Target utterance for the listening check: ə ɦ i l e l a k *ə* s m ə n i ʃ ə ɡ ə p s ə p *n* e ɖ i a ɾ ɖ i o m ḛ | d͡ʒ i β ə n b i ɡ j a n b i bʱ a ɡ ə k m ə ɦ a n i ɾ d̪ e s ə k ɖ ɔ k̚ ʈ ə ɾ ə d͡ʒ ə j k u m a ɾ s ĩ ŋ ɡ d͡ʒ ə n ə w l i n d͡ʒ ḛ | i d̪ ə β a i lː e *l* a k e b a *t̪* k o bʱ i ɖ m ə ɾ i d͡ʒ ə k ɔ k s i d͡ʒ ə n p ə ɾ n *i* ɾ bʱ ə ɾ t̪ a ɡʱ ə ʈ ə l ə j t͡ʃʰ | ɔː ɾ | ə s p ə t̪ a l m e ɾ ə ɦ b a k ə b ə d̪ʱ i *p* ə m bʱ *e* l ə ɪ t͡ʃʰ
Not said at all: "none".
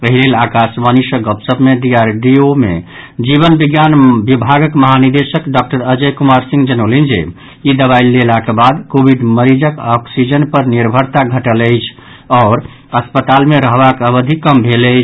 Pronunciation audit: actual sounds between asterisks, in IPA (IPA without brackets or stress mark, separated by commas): a, m, l, d̪, i, k, e